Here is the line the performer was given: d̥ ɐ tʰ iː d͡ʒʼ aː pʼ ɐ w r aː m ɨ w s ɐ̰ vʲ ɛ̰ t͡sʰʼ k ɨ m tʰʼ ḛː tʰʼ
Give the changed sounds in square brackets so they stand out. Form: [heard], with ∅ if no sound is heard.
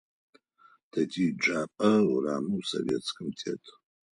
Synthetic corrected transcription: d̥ ɐ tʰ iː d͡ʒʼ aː pʼ ɐ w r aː m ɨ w s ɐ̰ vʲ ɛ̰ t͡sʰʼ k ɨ m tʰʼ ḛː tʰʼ